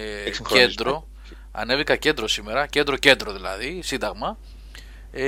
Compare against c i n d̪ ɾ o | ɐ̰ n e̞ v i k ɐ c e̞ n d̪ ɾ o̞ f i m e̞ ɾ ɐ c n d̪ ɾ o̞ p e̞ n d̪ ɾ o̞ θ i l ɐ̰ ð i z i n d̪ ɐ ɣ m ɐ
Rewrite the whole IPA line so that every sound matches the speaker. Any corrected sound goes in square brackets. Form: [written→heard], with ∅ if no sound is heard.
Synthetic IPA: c [i→e] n d̪ ɾ o | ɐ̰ n e̞ v i k ɐ c e̞ n d̪ ɾ o̞ [f→s] i m e̞ ɾ ɐ c n d̪ ɾ o̞ [p→c] e̞ n d̪ ɾ o̞ [θ→ð] i l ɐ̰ ð i [z→s] i n d̪ ɐ ɣ m ɐ